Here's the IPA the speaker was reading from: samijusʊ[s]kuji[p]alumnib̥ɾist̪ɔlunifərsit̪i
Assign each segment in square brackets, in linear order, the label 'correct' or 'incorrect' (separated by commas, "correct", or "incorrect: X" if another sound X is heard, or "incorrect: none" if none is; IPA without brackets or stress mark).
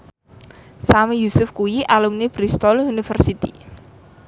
incorrect: f, incorrect: ʔ